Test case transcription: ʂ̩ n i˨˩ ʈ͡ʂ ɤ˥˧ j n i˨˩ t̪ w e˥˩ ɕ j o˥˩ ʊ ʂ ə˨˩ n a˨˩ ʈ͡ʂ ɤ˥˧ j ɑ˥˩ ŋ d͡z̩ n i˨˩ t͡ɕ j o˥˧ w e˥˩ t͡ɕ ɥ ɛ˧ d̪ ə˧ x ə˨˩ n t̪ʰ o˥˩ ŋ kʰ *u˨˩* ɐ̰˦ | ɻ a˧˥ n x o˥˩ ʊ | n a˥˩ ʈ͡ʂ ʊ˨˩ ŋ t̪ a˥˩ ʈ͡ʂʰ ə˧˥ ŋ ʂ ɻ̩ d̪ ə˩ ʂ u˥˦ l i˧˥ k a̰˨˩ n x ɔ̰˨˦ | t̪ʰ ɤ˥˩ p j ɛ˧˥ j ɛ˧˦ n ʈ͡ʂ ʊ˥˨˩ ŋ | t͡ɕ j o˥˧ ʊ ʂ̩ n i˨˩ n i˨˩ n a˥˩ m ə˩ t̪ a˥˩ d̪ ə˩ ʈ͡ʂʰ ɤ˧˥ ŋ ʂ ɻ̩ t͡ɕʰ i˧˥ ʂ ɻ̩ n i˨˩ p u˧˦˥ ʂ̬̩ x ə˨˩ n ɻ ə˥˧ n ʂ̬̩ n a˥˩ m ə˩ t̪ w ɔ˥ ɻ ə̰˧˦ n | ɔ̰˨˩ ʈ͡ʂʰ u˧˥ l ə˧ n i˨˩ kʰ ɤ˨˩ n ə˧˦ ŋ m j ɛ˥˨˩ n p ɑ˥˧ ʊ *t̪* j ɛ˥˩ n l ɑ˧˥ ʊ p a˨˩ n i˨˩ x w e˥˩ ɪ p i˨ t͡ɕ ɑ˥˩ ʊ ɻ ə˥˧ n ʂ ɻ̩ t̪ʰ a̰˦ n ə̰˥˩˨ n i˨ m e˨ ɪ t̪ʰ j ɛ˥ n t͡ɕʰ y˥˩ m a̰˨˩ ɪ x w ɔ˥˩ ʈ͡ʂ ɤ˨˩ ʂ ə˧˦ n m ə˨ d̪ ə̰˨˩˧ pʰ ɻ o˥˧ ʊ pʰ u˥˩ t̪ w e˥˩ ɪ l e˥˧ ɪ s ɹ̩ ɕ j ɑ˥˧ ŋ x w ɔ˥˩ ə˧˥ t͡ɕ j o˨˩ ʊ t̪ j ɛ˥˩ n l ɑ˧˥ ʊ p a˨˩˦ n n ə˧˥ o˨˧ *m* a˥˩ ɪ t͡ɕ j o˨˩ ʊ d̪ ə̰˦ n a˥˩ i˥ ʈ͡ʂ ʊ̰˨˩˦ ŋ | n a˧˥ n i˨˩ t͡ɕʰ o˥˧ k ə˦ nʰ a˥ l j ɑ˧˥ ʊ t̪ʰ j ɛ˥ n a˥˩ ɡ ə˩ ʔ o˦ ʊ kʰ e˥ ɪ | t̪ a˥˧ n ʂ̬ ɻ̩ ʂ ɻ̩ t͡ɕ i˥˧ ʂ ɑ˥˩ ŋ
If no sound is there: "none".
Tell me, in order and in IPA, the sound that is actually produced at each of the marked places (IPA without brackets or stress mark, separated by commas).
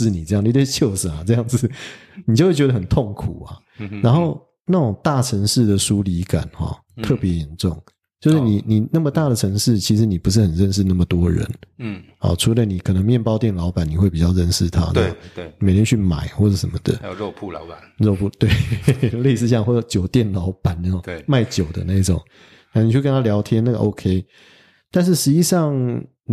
u˨˩, t̪, m